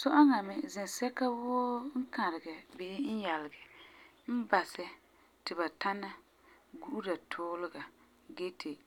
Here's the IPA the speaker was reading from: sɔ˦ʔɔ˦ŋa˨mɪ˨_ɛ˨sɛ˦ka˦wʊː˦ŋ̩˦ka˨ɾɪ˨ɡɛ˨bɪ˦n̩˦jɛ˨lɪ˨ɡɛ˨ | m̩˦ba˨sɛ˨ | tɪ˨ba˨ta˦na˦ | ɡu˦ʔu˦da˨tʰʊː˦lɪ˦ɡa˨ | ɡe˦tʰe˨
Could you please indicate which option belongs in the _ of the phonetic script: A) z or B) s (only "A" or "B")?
A